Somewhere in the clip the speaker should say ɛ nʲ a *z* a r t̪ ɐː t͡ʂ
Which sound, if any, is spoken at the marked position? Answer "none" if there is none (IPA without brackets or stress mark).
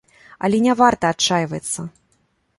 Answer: v